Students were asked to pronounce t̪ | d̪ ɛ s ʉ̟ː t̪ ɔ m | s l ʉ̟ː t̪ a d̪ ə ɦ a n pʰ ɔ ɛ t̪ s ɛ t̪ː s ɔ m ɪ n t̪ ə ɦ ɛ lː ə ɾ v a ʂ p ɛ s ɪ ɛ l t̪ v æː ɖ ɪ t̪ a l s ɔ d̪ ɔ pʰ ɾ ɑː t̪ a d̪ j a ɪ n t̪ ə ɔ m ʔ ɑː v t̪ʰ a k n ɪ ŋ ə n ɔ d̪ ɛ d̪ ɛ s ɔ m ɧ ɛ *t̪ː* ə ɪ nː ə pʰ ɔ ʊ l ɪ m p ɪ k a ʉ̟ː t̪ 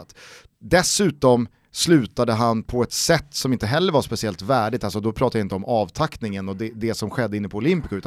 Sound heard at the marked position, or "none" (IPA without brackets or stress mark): d̪ː